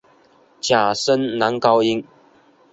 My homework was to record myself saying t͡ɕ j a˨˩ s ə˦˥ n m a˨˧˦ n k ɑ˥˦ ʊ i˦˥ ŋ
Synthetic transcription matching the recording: t͡ɕ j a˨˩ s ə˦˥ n n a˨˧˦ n k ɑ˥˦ ʊ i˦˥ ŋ